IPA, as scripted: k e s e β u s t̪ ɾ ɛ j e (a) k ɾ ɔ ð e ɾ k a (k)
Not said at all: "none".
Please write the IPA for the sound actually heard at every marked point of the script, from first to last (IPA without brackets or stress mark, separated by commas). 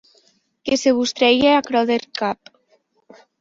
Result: a, p